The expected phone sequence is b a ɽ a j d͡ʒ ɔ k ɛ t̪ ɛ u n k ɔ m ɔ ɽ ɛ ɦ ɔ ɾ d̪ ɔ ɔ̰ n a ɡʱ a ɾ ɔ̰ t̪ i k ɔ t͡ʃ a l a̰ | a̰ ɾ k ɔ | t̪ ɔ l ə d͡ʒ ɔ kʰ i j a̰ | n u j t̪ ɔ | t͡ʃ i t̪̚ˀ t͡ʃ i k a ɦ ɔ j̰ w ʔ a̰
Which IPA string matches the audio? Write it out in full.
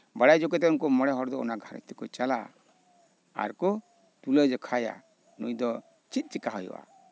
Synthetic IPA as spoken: b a ɽ a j d͡ʒ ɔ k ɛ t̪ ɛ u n k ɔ m ɔ ɽ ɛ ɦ ɔ ɾ d̪ ɔ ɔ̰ n a ɡʱ a ɾ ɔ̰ t̪ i k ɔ t͡ʃ a l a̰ | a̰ ɾ k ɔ | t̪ u l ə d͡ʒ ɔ kʰ a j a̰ | n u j d̪ ɔ | t͡ʃ i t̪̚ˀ t͡ʃ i k a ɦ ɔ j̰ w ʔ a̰